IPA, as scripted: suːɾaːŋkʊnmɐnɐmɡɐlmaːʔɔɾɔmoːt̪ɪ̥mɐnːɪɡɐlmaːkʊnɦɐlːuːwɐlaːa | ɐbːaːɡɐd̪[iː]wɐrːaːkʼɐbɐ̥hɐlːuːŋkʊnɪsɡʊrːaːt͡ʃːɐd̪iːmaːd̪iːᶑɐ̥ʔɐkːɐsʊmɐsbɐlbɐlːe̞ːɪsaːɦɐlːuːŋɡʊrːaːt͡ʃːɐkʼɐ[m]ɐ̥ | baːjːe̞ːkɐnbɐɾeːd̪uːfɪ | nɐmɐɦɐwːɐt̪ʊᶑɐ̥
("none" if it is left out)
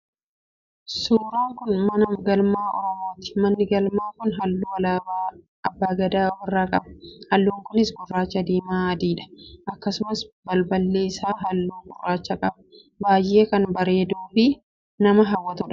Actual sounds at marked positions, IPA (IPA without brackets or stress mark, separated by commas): aː, b